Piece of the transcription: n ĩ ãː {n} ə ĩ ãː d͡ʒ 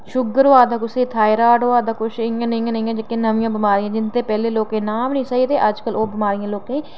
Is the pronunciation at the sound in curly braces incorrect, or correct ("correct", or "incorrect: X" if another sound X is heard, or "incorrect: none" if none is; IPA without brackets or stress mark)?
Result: correct